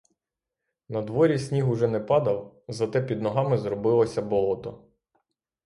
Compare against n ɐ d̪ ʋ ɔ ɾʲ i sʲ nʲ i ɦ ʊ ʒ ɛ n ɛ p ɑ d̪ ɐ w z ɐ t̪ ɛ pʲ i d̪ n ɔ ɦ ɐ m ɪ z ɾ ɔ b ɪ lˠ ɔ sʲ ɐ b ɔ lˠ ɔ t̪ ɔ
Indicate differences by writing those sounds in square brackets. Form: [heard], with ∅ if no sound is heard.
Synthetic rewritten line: n ɐ d̪ ʋ ɔ ɾʲ i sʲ nʲ i ɦ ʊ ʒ ɛ n ɛ p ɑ d̪ ɐ w z ɐ t̪ ɛ pʲ i d̪ n ɔ ɦ [ɑ] m ɪ z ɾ ɔ b ɪ lˠ ɔ sʲ ɐ b ɔ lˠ ɔ t̪ ɔ